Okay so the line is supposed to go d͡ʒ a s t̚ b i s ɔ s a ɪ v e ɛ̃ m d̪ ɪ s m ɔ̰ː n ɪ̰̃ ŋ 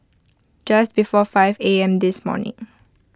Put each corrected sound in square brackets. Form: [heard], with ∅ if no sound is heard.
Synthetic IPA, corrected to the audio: d͡ʒ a s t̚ b i [f] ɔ [f] a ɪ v e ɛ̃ m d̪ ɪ s m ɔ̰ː n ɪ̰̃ ŋ